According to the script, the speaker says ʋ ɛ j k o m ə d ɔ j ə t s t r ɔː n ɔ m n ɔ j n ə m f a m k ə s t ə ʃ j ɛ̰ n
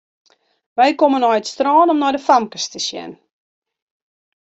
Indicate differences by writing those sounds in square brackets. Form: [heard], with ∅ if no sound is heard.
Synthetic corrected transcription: ʋ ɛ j k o m ə [n] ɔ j ə t s t r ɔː n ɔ m n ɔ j [d] ə [∅] f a m k ə s t ə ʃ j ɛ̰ n

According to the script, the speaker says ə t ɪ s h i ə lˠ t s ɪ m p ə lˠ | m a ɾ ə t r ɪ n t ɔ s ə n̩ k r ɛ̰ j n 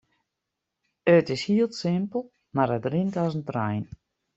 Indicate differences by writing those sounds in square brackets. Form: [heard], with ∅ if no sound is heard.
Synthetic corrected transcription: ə t ɪ s h i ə lˠ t s ɪ m p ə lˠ | m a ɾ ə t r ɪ n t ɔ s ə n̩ [t] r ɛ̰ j n

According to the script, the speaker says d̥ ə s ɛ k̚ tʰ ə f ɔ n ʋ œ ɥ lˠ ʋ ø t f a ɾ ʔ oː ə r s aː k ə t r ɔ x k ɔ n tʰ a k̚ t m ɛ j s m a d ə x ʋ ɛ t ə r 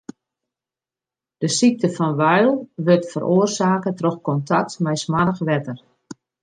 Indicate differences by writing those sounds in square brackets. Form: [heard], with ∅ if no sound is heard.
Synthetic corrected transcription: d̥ ə s [i] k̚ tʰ ə f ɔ n ʋ œ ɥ lˠ ʋ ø t f [ə] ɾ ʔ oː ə r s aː k ə t r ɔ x k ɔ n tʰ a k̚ t m ɛ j s m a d ə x ʋ ɛ t ə r

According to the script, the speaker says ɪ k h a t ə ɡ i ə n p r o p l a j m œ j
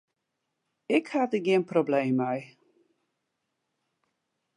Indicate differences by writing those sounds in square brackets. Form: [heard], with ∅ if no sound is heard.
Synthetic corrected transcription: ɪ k h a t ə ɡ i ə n p r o [b] l [e] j m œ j

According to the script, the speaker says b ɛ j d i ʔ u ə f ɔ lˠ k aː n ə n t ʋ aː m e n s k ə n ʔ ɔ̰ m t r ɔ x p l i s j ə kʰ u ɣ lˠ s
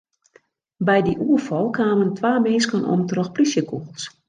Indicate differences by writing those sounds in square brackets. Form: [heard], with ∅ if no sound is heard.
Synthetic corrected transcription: b ɛ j d i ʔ u ə f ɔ lˠ k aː [m] ə n t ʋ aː m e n s k ə n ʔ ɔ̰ m t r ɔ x p l i s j ə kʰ u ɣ lˠ s

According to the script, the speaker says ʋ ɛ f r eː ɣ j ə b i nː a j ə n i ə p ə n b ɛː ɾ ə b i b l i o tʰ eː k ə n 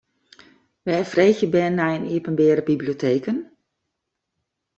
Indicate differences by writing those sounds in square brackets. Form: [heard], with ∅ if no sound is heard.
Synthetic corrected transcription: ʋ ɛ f r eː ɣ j ə b [ɛ] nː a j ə n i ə p ə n b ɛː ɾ ə b i b l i o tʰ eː k ə n

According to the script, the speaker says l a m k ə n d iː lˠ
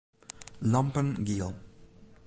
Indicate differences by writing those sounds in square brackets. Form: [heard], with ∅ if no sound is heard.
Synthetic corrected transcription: l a m [p] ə n [ɡ] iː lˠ

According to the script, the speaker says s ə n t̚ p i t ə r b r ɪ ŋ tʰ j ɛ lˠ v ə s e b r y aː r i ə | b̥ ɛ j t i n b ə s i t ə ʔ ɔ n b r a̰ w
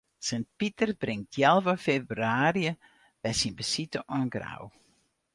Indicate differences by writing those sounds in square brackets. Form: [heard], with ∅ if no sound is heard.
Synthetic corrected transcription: s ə n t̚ p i t ə r b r ɪ ŋ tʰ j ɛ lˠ v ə [f] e b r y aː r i ə | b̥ ɛ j [s] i n b ə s i t ə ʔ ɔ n [ɡ] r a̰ w

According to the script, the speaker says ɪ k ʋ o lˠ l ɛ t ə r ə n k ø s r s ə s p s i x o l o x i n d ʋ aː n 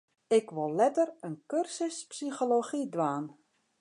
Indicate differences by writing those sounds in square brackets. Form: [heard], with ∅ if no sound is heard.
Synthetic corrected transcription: ɪ k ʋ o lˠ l ɛ t ə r ə n k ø [∅] r s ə s p s i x o l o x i [∅] d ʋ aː n

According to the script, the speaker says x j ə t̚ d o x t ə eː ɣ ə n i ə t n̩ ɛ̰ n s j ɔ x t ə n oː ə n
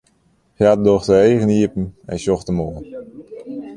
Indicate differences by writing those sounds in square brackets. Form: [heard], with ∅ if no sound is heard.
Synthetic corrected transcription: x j [a] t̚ d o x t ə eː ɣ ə n i ə [p] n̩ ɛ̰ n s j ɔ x t ə [m] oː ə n

